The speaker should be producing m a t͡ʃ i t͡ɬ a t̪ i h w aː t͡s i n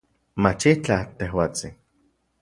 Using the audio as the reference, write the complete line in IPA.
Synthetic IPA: m a t͡ʃ i t͡ɬ a t̪ e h w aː t͡s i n

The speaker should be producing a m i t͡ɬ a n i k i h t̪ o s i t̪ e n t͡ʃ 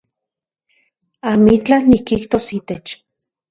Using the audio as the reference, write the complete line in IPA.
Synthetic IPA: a m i t͡ɬ a n i k i h t̪ o s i t̪ e t͡ʃ

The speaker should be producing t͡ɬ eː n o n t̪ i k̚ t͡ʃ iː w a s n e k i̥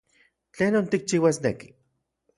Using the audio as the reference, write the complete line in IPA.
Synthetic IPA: t͡ɬ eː n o n t̪ i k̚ t͡ʃ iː w a s n e k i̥

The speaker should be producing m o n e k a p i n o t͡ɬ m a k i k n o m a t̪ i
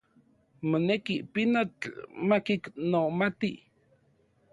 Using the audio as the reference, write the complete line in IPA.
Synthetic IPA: m o n e k i p i n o t͡ɬ m a k i k n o m a t̪ i

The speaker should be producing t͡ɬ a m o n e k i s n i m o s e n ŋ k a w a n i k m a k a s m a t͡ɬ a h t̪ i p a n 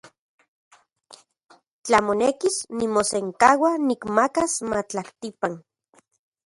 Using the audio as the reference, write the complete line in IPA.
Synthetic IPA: t͡ɬ a m o n e k i s n i m o s e ŋ k a w a n i k m a k a s m a t͡ɬ a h t̪ i p a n

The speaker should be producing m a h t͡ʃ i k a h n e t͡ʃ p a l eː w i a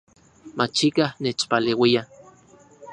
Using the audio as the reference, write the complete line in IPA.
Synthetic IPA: m a t͡ʃ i k a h n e t͡ʃ p a l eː w i a

